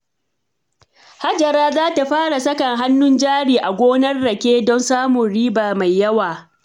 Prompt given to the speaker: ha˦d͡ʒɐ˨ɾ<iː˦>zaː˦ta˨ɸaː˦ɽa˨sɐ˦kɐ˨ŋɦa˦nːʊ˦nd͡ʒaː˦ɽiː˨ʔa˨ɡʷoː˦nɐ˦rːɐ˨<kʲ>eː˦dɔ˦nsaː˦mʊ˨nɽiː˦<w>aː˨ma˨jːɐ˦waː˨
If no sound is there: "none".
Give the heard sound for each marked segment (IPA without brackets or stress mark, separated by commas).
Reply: aː˦, kʲ, b